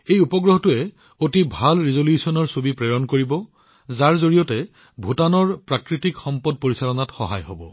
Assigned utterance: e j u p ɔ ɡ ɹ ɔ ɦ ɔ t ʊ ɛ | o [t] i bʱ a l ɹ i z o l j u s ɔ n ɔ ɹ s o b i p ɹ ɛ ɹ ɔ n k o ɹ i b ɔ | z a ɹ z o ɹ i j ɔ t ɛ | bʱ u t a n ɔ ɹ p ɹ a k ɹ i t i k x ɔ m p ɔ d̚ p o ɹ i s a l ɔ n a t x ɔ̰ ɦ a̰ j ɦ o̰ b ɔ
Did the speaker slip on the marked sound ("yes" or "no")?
no